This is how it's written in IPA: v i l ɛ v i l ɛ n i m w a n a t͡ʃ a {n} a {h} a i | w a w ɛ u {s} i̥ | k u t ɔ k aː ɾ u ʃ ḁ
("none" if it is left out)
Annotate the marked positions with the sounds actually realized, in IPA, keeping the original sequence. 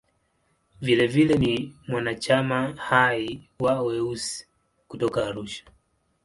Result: m, h, s

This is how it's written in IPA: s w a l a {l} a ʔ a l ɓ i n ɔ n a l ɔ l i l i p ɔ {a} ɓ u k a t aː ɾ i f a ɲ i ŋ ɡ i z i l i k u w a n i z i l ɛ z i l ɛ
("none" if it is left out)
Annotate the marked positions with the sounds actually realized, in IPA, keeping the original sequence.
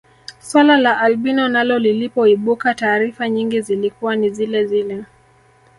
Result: l, i

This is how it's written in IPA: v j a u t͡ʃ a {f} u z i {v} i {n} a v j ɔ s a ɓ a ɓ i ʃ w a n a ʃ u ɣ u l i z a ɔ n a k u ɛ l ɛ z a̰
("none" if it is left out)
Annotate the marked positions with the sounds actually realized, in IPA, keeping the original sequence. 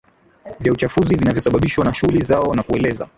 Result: f, v, n

